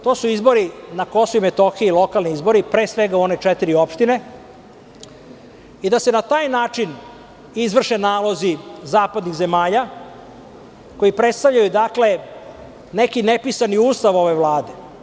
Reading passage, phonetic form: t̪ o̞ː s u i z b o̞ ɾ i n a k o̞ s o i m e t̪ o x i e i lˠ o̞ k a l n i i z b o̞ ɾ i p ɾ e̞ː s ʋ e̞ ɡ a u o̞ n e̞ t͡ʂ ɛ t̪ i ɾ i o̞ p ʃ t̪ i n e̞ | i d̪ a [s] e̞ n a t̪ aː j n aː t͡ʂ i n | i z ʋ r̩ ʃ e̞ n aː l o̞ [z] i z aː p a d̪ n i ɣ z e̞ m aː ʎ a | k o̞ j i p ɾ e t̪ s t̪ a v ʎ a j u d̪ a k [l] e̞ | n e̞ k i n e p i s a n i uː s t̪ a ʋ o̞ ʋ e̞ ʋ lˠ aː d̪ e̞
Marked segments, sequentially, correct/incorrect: correct, correct, correct

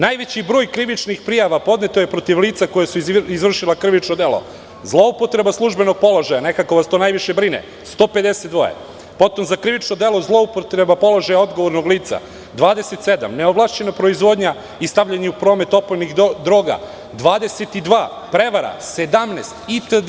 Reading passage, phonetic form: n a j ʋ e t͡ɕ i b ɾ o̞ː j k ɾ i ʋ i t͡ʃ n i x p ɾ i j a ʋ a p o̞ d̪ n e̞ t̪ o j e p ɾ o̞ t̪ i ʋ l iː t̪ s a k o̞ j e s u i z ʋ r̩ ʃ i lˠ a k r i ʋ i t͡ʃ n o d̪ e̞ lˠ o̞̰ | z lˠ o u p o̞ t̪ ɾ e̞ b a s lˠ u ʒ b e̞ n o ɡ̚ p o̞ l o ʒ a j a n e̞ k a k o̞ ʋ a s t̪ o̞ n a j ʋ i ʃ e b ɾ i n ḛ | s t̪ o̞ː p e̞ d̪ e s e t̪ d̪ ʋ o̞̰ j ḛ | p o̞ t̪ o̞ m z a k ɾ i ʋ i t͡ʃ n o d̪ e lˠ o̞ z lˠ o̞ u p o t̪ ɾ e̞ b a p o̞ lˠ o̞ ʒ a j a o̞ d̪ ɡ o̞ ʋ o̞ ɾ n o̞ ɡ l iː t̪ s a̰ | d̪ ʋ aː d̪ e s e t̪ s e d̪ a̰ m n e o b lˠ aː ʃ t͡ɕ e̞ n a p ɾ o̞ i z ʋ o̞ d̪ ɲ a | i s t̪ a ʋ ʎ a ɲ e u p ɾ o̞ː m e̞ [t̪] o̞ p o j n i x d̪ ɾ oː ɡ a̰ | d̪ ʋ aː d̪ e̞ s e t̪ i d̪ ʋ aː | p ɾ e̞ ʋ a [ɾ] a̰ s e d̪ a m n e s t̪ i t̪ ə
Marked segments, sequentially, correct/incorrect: correct, correct

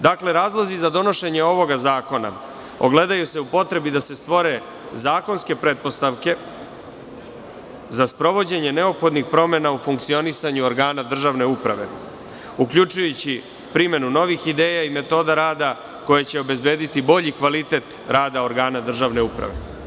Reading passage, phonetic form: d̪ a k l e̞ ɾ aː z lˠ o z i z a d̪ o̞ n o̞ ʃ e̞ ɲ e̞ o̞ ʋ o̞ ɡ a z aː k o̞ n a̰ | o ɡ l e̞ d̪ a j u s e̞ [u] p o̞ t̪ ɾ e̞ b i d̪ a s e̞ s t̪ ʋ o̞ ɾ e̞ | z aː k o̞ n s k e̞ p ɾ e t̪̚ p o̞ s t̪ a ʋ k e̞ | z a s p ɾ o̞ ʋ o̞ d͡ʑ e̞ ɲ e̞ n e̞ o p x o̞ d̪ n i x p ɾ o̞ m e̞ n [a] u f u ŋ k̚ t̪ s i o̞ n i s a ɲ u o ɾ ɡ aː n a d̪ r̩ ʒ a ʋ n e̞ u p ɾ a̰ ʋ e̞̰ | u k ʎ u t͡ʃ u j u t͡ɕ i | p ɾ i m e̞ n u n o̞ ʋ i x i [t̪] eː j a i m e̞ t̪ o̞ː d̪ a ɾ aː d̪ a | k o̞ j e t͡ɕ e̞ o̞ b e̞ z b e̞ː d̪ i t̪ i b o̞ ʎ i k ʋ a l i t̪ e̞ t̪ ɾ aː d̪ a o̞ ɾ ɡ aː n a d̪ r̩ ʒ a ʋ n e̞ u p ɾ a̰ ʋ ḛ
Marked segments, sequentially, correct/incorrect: correct, correct, incorrect: d̪

